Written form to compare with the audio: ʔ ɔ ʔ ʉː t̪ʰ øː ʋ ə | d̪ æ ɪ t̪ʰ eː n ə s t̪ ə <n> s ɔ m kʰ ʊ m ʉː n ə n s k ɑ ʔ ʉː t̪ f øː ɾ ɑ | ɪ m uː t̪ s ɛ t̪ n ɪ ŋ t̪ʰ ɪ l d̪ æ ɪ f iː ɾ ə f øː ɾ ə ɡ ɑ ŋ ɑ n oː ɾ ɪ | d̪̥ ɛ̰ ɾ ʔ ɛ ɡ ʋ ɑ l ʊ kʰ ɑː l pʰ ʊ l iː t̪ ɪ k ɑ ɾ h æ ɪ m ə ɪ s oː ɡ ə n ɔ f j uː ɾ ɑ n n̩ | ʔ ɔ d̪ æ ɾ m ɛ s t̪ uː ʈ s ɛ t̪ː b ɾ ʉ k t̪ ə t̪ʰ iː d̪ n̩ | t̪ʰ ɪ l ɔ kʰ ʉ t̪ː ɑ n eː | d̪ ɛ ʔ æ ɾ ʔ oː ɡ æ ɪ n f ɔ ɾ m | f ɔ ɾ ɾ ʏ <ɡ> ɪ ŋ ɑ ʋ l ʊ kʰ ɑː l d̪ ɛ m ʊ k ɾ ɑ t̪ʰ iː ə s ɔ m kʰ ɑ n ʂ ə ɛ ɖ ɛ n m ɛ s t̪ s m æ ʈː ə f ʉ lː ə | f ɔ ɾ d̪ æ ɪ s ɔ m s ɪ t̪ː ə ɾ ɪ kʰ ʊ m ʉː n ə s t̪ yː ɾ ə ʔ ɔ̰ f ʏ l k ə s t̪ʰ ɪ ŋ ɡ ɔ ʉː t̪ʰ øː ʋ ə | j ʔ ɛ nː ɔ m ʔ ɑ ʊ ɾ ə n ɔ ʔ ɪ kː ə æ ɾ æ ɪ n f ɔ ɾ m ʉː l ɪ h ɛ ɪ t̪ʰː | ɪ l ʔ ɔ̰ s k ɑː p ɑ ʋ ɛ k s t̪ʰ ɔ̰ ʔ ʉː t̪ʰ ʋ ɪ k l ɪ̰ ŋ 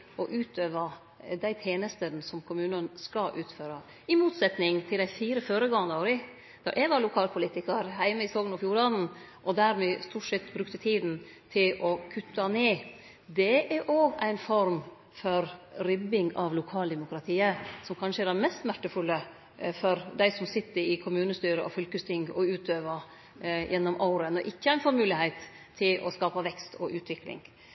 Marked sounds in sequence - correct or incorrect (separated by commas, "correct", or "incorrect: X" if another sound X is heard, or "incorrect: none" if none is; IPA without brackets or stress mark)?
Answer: correct, incorrect: b